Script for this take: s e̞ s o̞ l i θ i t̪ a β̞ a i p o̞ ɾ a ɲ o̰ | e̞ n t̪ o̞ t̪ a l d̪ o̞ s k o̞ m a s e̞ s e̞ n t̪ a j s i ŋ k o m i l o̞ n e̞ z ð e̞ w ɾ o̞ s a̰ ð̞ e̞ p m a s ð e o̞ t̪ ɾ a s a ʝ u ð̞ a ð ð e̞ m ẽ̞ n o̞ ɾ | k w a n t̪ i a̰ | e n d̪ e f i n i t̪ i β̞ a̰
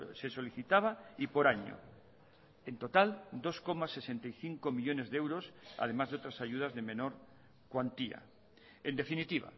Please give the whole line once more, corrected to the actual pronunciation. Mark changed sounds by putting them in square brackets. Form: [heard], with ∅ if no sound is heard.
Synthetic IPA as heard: s e̞ s o̞ l i θ i t̪ a β̞ a i p o̞ ɾ a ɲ o̰ | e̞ n t̪ o̞ t̪ a l d̪ o̞ s k o̞ m a s e̞ s e̞ n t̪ a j [θ] i ŋ k o m i [ʎ] o̞ n e̞ z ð e̞ w ɾ o̞ s a̰ ð̞ e̞ [∅] m a [z] ð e o̞ t̪ ɾ a s a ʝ u ð̞ a [z] ð e̞ m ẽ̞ n o̞ ɾ | k w a n t̪ i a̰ | e n d̪ e f i n i t̪ i β̞ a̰